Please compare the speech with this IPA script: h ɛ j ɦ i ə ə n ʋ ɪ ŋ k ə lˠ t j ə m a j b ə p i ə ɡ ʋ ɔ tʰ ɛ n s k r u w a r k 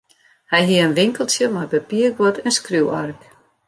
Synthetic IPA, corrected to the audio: h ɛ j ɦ i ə ə n ʋ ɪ ŋ k ə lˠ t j ə m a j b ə p i ə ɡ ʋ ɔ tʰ ɛ n s k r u w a r k